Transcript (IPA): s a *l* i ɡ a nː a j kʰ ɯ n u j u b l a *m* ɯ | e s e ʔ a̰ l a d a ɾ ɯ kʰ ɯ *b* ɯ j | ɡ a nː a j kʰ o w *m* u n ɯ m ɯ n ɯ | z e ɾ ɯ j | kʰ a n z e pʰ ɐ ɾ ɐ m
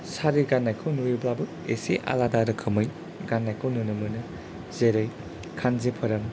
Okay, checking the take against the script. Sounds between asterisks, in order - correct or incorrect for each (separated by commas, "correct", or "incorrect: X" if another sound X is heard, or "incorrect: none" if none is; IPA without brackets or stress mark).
incorrect: ɾ, incorrect: b, incorrect: m, incorrect: n